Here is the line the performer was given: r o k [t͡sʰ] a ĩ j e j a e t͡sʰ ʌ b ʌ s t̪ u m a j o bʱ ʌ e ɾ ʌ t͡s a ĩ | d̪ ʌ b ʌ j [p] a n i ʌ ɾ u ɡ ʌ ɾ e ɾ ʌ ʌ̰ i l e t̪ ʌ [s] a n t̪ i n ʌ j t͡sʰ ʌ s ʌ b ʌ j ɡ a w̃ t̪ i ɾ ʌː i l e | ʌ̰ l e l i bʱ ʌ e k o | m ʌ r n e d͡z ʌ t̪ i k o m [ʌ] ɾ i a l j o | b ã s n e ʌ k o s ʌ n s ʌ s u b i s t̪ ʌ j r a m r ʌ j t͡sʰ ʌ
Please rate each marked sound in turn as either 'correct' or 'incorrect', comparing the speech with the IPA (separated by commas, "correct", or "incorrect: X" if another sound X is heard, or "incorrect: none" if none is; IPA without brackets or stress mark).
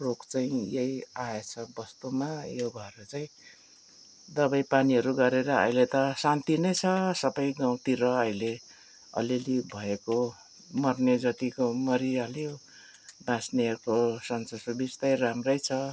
incorrect: t͡s, correct, correct, correct